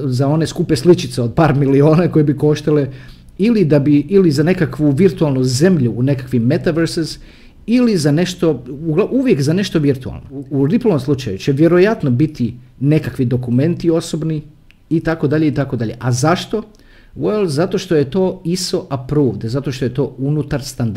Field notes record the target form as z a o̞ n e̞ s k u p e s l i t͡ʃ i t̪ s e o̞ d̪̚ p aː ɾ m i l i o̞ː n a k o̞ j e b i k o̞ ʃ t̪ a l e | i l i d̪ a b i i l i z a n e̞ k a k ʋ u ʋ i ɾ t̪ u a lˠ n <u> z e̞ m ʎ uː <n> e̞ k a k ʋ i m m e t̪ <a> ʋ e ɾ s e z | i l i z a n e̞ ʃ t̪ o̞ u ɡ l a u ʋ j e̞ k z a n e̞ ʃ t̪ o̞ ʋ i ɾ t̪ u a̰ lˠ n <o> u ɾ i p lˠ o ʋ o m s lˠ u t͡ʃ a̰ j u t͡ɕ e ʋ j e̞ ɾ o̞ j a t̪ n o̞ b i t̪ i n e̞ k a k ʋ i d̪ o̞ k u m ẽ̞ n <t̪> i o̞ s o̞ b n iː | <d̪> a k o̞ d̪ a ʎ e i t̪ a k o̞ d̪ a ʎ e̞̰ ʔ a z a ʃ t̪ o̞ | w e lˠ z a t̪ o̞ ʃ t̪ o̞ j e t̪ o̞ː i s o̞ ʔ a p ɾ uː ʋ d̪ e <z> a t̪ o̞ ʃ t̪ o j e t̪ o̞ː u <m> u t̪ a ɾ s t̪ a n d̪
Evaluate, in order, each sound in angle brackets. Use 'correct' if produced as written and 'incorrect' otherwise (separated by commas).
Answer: correct, correct, correct, correct, correct, incorrect, correct, incorrect